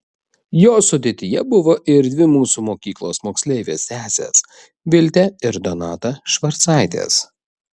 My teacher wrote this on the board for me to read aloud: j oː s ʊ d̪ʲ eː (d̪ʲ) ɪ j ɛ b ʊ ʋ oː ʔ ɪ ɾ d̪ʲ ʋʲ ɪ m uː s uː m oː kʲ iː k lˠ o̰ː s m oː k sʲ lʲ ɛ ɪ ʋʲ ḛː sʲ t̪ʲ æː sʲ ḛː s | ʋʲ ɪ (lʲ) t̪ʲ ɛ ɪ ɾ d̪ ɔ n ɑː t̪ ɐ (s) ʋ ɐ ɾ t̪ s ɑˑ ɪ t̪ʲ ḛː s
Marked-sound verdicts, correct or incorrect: incorrect: t̪ʲ, correct, incorrect: ʃ

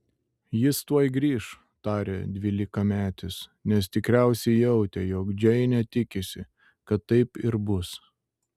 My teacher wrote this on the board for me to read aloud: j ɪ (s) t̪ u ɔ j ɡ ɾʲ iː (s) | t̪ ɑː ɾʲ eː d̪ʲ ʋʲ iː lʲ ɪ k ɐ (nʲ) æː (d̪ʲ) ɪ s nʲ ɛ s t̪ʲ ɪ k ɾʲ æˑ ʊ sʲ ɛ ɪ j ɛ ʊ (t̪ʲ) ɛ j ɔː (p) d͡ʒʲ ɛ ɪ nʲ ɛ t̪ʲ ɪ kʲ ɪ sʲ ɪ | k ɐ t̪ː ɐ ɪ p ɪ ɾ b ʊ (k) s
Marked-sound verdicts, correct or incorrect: correct, incorrect: ʃ, incorrect: mʲ, incorrect: t̪ʲ, correct, incorrect: k, incorrect: none

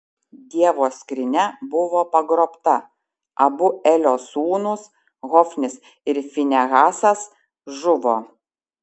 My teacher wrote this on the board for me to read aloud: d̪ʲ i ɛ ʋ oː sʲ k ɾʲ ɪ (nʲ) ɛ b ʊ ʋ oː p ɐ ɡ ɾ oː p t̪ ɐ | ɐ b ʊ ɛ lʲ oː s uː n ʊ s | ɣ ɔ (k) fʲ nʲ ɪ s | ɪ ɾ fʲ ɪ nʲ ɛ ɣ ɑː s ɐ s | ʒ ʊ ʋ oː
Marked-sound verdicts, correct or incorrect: correct, incorrect: none

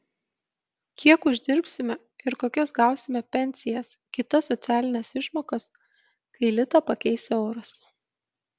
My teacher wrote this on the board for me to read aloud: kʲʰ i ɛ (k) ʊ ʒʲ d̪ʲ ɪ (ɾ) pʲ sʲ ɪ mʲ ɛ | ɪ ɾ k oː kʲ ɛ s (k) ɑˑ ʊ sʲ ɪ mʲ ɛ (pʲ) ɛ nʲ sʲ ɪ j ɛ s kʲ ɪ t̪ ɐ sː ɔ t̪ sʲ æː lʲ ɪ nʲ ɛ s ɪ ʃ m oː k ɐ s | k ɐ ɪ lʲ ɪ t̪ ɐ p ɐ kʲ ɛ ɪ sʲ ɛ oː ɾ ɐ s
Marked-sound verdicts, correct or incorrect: correct, correct, incorrect: ɡ, correct

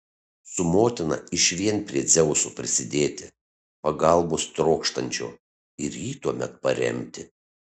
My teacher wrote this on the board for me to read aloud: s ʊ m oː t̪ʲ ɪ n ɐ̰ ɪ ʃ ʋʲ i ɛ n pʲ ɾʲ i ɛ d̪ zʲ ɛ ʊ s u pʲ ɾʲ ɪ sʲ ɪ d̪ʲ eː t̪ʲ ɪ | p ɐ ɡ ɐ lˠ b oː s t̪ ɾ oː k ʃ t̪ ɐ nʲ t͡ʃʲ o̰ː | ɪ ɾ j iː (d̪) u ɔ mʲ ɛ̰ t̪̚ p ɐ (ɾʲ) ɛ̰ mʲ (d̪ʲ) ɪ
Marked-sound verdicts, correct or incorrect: incorrect: t̪, correct, incorrect: t̪ʲ

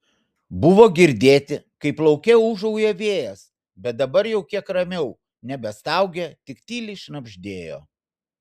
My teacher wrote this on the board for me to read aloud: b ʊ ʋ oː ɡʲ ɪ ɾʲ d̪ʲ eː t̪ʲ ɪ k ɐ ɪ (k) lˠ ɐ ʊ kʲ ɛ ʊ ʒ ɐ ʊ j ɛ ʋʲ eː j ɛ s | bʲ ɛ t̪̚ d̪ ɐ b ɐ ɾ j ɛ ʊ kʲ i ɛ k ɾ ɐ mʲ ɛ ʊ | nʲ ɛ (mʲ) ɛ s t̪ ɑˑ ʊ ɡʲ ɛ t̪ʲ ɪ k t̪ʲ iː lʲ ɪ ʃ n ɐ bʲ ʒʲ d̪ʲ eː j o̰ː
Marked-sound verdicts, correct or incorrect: incorrect: p, incorrect: bʲ

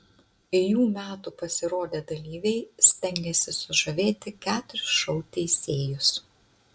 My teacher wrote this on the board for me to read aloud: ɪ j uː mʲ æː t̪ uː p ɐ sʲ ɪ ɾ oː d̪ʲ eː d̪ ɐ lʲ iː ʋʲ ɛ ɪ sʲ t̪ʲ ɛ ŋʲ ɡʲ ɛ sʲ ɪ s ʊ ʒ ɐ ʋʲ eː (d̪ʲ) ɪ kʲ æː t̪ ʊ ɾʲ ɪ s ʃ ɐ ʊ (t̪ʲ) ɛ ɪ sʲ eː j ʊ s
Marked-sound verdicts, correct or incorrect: incorrect: t̪ʲ, correct

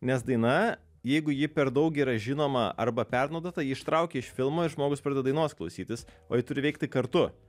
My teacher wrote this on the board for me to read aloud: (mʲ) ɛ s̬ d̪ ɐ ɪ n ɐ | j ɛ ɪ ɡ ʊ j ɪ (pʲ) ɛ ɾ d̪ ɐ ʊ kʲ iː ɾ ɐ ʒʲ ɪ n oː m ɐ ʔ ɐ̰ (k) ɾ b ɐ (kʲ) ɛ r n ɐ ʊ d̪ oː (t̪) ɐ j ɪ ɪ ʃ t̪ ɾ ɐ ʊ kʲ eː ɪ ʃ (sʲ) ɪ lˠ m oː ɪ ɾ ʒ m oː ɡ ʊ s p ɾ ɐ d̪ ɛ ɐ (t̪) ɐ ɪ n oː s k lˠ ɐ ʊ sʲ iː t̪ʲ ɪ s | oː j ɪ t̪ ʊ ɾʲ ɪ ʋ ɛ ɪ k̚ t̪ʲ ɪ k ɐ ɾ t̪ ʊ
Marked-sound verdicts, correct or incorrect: incorrect: nʲ, correct, incorrect: none, incorrect: pʲ, correct, incorrect: fʲ, incorrect: d̪

